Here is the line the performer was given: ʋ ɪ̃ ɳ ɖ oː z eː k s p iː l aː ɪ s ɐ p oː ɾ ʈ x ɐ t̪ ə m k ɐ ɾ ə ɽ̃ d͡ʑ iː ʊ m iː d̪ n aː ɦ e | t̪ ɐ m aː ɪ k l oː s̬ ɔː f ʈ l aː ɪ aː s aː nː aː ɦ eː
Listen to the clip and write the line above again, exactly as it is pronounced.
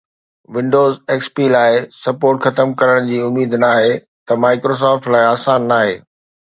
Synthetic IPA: ʋ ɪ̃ ɳ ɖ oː z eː k s p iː l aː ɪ s ɐ p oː ɾ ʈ x ɐ t̪ ə m k ɐ ɾ ə ɽ̃ d͡ʑ iː ʊ m iː d̪ n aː ɦ e | t̪ ɐ m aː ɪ k ɾ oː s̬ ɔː f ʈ l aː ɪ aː s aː nː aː ɦ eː